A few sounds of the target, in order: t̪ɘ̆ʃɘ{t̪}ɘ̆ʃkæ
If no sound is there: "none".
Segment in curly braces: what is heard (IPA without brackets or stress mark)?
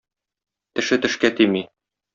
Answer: t̪